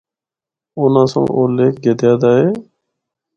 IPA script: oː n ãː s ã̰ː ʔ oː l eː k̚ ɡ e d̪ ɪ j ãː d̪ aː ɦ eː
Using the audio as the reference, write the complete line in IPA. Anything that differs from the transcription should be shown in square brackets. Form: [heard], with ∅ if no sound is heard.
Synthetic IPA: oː n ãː s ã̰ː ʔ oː l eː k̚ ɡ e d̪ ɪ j [aː] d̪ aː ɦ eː